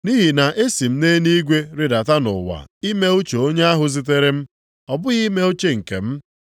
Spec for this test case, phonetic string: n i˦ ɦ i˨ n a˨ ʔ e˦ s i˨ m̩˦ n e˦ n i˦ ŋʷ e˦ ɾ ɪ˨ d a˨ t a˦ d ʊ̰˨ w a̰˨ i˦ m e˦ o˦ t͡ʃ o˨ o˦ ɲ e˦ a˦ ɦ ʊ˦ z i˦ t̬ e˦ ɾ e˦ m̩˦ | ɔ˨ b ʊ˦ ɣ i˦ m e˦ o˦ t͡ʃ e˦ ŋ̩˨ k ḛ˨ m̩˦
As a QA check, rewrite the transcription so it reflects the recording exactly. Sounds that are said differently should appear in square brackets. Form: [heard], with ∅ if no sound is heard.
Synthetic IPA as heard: n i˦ ɦ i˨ n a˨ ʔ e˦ s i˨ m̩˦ n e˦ n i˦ [ɡʷ] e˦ ɾ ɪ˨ d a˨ t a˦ [n] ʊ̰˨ w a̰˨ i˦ m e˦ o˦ t͡ʃ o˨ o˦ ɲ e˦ a˦ ɦ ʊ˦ z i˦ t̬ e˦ ɾ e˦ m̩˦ | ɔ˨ b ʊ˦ ɣ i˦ m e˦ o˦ t͡ʃ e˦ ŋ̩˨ k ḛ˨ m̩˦